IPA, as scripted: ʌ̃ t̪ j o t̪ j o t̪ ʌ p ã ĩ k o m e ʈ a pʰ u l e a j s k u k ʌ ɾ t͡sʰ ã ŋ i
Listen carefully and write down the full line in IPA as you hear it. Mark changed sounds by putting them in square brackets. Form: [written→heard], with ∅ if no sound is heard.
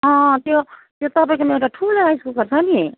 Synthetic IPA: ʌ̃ t̪ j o t̪ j o t̪ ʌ p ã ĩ k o m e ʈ a [pʰ→ʈʰ] u l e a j s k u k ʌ ɾ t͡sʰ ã [ŋ→n] i

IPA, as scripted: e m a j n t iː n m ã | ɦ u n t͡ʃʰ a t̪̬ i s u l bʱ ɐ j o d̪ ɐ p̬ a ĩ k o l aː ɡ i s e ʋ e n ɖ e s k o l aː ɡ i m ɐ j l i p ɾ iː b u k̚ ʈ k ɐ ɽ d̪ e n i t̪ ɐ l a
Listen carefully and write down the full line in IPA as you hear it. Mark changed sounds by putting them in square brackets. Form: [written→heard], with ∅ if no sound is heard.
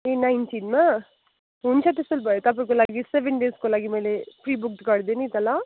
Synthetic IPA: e [m→n] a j n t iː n m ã | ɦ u n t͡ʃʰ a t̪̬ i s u l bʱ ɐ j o [d̪→t̪] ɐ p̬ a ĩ k o l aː ɡ i s e ʋ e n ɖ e s k o l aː ɡ i m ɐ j l [i→e] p ɾ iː b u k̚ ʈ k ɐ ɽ d̪ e n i t̪ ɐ l a

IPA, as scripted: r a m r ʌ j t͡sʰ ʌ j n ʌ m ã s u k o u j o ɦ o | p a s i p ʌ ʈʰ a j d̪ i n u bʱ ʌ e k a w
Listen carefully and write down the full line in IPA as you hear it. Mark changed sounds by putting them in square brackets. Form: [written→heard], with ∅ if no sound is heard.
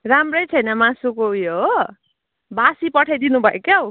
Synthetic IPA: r a m r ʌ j t͡sʰ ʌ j n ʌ m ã s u k o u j o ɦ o | [p→b] a s i p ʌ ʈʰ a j d̪ i n u bʱ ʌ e k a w

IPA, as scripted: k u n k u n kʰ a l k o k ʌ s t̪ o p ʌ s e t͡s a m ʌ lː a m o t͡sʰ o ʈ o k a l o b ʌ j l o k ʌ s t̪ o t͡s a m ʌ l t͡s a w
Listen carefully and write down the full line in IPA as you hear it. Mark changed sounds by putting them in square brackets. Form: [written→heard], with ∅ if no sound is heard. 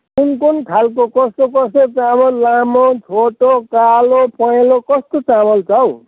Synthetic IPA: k u n k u n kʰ a l k o k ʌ s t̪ o [p→k] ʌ s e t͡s a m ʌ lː a m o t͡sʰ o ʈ o k a l o [b→p] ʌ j l o k ʌ s t̪ o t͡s a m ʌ l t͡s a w

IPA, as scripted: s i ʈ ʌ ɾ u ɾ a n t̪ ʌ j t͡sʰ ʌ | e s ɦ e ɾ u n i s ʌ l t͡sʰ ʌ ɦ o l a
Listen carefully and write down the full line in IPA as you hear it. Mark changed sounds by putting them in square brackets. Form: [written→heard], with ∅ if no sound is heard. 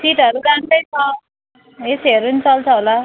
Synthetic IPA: s i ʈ ʌ ɾ u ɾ a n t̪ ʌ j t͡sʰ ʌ | e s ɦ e ɾ u n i [s→t͡s] ʌ l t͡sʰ ʌ ɦ o l a

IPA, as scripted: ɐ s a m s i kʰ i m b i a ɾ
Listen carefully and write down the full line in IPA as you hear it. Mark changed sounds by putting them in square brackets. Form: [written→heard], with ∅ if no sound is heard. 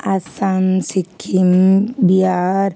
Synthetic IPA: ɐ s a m s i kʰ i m b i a ɾ

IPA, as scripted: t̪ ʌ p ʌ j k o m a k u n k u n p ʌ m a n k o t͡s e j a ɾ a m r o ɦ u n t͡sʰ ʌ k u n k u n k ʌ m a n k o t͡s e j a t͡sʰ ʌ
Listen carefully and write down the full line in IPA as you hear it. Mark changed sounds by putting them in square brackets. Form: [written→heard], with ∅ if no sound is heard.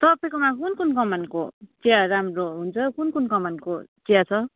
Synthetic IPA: t̪ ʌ p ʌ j k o m a k u n k u n [p→k] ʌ m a n k o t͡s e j a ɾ a m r o ɦ u n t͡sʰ ʌ k u n k u n k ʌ m a n k o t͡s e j a t͡sʰ ʌ

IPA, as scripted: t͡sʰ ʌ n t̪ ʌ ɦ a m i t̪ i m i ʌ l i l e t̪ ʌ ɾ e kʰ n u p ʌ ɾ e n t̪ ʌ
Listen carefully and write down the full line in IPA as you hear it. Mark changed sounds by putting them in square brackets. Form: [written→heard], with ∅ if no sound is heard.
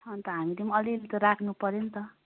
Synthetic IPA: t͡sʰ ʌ n t̪ ʌ ɦ a m i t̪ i m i ʌ l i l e t̪ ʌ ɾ [e→a] kʰ n u p ʌ ɾ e n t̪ ʌ

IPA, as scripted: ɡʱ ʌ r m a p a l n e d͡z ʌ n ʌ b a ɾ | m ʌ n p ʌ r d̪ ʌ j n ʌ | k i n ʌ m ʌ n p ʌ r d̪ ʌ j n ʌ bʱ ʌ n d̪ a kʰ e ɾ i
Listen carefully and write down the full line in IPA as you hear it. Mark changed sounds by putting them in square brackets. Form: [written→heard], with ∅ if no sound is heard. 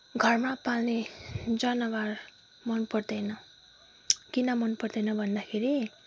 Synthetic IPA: ɡʱ ʌ r m a p a l n e d͡z ʌ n ʌ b a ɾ | m ʌ n p ʌ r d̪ ʌ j n ʌ | k i n ʌ m ʌ n p ʌ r d̪ ʌ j n ʌ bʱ ʌ n d̪ a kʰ e ɾ i

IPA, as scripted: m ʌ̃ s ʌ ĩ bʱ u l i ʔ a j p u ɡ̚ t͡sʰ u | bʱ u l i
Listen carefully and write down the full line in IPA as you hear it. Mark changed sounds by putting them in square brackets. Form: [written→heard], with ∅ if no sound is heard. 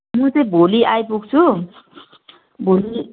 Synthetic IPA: m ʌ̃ [s→t͡s] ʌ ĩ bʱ [u→o] l i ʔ a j p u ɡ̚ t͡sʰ u | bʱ [u→o] l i

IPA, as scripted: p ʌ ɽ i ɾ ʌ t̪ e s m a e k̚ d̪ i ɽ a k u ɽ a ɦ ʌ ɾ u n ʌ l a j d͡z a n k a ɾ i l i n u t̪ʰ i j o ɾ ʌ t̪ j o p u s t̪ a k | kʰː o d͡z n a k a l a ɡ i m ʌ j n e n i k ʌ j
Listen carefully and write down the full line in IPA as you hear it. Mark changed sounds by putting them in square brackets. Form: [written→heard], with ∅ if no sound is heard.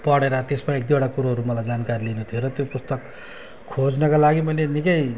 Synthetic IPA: p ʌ ɽ [i→e] ɾ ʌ t̪ e s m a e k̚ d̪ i ɽ a k u [ɽ→ɾ] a ɦ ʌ ɾ u [n→m] ʌ l a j d͡z a n k a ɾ i l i n u t̪ʰ i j o ɾ ʌ t̪ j o p u s t̪ [a→ʌ] k | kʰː o d͡z n [a→ʌ] k a l a ɡ i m ʌ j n e n i k ʌ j

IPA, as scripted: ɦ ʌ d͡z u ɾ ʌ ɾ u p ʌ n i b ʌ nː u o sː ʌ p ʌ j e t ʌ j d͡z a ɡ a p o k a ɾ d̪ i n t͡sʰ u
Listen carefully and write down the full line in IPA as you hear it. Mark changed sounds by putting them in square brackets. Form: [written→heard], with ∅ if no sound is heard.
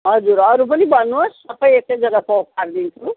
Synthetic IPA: ɦ ʌ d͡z u ɾ ʌ ɾ u p ʌ n i b ʌ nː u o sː ʌ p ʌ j e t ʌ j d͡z [a→ʌ] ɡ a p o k a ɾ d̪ i n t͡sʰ u

